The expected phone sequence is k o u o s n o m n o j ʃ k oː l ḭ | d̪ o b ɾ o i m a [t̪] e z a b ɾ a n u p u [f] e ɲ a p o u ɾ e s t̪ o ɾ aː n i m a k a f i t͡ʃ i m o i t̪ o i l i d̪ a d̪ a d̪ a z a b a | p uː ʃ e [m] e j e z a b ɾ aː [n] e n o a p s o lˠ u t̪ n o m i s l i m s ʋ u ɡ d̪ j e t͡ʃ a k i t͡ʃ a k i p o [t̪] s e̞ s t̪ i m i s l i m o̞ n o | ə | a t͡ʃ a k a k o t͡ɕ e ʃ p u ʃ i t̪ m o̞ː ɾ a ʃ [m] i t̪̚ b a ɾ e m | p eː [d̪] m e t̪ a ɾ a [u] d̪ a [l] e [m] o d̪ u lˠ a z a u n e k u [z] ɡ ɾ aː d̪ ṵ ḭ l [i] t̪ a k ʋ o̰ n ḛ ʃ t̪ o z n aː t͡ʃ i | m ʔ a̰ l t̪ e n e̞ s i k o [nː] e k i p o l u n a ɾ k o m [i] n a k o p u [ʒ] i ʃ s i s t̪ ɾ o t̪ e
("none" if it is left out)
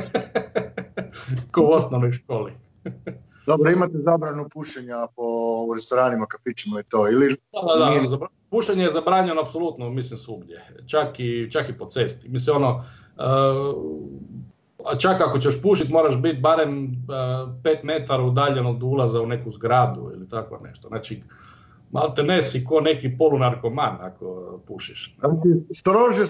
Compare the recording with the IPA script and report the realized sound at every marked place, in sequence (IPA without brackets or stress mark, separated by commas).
t̪, ʃ, ɲ, ɲ, t̪, b, t̪, u, ʎ, n, z, i, n, a, ʃ